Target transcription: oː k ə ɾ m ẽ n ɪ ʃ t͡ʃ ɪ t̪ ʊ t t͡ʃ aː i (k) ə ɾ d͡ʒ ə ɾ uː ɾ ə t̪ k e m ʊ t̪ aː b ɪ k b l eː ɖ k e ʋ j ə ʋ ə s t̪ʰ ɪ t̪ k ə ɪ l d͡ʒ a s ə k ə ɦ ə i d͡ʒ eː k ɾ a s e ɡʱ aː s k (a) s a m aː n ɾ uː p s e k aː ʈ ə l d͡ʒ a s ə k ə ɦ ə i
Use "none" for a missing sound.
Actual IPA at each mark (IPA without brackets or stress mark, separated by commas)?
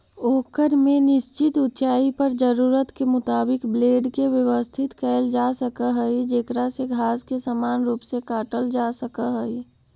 p, e